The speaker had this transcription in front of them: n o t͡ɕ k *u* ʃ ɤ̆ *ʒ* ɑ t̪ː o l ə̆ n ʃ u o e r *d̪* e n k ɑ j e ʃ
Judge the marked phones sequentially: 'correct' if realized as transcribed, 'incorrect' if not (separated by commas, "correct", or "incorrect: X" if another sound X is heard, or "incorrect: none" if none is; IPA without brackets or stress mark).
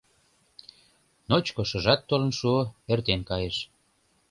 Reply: incorrect: o, correct, incorrect: t̪